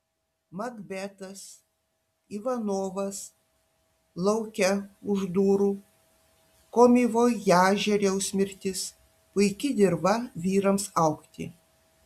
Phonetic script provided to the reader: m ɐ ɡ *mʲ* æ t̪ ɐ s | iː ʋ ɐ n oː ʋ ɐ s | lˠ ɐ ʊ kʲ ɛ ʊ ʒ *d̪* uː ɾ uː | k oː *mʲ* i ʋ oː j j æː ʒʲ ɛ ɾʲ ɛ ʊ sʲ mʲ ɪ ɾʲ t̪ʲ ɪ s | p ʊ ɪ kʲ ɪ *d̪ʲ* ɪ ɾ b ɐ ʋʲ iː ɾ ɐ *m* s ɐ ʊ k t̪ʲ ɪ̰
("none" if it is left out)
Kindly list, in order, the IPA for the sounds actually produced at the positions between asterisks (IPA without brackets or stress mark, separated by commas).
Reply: bʲ, d̪, mʲ, d̪ʲ, m